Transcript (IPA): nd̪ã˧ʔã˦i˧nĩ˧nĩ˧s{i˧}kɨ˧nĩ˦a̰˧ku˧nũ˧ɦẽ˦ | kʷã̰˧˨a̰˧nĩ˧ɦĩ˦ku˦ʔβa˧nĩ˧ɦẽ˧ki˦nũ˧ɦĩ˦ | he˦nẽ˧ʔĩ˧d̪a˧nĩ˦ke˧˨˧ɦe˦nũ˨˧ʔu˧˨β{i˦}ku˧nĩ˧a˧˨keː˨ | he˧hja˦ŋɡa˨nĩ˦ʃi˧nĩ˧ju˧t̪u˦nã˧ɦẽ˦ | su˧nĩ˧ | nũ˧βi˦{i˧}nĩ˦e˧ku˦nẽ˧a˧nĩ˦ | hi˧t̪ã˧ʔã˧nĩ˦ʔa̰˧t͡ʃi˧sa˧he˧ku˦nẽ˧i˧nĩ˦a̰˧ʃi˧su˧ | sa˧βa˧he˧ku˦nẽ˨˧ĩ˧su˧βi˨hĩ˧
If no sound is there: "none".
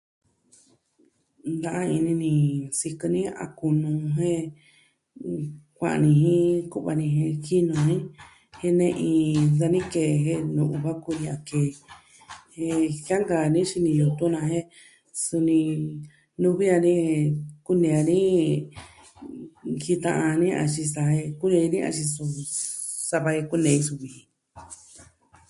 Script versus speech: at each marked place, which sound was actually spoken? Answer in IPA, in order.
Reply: i˧, a˦, a˧

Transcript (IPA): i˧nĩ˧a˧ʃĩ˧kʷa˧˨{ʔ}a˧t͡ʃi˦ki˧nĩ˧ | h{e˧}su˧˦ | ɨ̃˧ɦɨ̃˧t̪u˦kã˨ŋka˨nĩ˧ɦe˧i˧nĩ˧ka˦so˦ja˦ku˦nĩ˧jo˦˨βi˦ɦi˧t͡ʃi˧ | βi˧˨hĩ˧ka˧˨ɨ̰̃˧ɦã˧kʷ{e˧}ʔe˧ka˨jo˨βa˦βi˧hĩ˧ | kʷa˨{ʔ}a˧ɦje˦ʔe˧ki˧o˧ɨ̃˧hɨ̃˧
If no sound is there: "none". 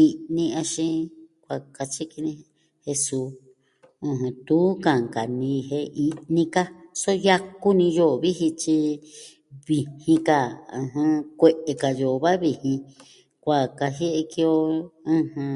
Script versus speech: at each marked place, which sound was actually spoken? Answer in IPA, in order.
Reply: k, e˧, e˧, k

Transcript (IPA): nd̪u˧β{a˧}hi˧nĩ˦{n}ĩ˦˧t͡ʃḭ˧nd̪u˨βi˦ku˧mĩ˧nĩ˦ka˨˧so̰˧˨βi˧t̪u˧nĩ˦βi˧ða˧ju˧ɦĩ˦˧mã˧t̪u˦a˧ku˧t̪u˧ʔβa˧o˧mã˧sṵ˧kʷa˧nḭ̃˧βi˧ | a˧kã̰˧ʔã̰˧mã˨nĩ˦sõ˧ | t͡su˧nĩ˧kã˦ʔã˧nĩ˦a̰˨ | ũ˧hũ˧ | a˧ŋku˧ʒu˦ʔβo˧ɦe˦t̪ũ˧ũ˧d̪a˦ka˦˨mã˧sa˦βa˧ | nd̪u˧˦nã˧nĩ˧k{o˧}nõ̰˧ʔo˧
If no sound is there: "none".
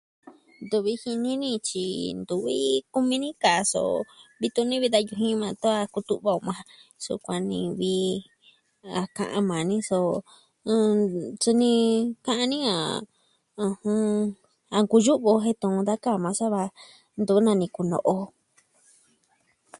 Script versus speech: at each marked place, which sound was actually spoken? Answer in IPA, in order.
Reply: i˧, n, u˧

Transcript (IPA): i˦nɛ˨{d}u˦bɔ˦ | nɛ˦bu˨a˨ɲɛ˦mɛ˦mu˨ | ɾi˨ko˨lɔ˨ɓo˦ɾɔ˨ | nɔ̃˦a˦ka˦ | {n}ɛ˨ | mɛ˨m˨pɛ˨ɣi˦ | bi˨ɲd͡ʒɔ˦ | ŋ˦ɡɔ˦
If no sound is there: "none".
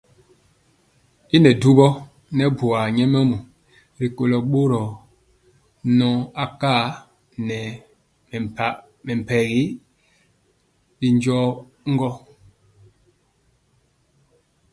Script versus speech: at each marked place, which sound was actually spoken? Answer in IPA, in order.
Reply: d, n

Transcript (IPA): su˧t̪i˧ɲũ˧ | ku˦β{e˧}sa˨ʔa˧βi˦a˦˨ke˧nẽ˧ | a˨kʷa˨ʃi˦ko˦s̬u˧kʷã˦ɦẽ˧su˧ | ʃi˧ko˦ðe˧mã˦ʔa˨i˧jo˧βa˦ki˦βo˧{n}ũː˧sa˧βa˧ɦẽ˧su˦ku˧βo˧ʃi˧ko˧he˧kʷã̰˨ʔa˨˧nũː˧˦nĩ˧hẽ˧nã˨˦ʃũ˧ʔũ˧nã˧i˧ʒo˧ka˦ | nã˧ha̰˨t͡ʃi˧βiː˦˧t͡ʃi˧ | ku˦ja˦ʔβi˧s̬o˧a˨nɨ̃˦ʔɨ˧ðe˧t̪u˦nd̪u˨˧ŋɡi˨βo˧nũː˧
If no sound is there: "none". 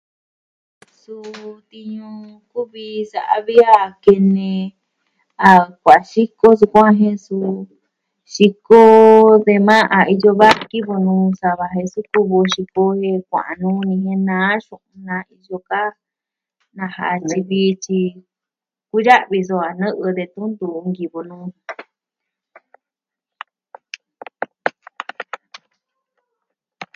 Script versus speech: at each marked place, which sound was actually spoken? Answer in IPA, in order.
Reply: i˧, n

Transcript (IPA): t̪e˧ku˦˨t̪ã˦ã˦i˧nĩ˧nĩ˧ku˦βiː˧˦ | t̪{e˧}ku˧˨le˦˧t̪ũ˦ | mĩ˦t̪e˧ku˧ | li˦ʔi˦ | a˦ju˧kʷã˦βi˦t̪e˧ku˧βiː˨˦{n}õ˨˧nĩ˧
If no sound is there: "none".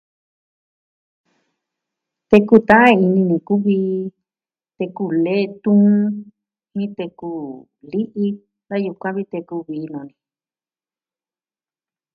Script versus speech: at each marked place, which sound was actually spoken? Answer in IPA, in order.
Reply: e˧, n

